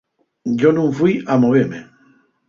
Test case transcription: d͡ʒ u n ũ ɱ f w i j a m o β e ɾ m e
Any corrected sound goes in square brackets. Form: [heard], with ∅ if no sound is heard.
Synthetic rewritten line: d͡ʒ [o] n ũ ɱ f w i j a m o β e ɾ m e